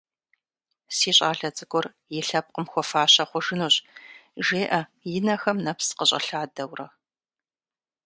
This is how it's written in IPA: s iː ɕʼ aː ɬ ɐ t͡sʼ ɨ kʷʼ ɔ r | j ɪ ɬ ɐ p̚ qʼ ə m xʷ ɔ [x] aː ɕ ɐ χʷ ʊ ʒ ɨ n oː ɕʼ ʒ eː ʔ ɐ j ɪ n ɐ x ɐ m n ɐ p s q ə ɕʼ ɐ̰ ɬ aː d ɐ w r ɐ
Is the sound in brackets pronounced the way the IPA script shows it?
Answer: no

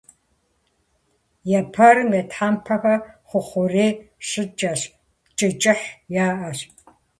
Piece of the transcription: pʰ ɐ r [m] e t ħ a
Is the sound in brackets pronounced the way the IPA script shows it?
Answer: yes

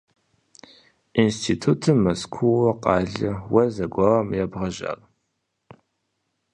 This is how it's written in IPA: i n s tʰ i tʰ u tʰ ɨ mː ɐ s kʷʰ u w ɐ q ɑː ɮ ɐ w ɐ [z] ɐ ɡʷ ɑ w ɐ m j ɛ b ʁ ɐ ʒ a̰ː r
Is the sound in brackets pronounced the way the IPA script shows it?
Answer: yes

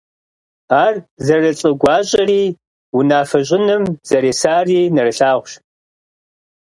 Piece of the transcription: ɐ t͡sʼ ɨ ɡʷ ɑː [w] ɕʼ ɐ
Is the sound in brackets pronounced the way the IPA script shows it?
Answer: no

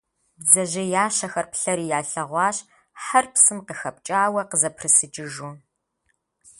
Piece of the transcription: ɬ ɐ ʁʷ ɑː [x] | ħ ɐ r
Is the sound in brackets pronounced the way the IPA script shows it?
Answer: no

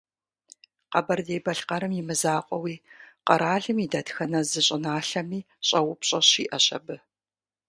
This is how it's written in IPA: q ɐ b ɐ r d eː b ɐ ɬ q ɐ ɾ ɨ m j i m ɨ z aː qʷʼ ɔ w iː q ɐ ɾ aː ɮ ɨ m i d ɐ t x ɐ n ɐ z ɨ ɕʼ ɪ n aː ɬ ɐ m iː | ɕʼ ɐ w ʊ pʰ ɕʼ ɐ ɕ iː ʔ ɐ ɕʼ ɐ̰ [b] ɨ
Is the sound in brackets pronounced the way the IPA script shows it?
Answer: yes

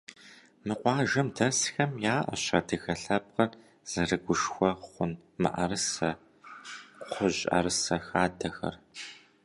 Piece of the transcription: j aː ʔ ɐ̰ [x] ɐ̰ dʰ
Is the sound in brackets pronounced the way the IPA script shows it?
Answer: no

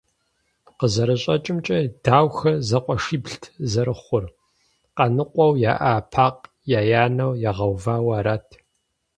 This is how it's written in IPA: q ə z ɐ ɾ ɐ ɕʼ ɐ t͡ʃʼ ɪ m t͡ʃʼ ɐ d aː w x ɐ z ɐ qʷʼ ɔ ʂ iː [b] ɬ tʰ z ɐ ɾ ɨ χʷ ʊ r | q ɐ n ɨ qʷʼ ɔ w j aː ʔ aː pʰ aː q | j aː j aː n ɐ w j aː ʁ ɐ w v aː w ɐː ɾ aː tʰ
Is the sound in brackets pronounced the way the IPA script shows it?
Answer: yes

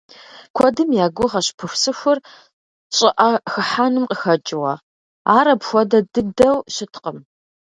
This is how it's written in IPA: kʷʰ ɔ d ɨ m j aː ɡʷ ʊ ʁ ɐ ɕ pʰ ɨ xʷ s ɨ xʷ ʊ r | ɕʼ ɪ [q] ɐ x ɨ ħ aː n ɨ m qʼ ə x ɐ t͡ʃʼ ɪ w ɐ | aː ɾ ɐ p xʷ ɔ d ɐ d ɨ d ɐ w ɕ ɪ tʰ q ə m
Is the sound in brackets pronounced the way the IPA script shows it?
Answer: no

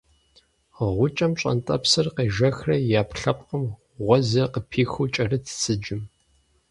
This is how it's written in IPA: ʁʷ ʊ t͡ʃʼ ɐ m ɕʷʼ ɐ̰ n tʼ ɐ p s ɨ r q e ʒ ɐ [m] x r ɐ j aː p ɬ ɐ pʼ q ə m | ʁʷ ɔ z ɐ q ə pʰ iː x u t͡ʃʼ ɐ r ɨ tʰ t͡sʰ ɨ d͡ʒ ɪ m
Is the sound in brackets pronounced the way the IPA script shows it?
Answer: no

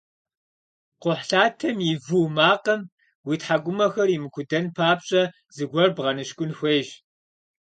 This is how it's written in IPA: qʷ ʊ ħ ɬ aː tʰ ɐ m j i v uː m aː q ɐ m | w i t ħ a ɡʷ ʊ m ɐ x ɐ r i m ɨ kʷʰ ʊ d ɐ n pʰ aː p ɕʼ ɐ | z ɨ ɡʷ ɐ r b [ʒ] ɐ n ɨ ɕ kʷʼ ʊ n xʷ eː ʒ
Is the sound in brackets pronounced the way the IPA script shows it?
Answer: no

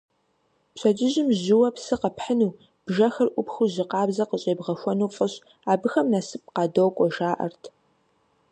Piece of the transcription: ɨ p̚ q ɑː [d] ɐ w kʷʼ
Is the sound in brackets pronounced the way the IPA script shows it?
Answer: yes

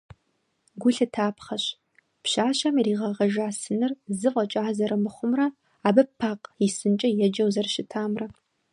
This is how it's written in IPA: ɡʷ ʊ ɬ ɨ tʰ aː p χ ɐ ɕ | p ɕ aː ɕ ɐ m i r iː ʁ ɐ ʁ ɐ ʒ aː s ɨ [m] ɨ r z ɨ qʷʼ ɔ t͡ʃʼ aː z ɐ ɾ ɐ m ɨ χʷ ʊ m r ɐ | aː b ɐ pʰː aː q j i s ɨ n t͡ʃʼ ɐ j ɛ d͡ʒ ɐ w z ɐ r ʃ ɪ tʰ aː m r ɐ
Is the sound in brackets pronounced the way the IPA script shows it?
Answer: no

